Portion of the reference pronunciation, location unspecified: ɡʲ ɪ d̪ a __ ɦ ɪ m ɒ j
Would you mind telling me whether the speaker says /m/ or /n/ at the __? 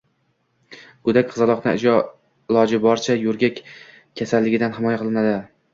n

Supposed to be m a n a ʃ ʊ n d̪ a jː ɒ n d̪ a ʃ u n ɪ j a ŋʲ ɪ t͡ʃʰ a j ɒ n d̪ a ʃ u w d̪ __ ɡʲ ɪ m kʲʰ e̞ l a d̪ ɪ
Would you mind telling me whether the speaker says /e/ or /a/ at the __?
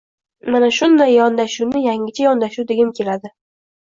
e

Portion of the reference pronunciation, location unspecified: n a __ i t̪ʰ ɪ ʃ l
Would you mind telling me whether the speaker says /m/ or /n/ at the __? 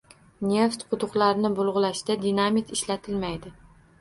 m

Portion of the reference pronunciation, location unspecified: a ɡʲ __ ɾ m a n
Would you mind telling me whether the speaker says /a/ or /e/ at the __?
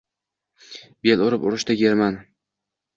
e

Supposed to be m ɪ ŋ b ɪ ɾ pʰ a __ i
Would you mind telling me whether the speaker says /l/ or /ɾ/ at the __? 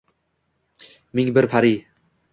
ɾ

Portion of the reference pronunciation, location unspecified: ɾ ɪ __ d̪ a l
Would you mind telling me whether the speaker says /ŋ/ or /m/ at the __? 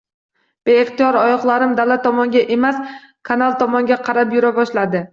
m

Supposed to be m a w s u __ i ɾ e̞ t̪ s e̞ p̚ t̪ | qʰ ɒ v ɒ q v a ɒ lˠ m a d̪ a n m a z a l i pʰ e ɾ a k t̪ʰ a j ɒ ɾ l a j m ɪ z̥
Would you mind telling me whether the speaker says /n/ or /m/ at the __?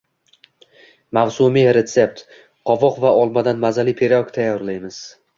m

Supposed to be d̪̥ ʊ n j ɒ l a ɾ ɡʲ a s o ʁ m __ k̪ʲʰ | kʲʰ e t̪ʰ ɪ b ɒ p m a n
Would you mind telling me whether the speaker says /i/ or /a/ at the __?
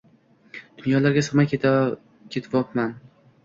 a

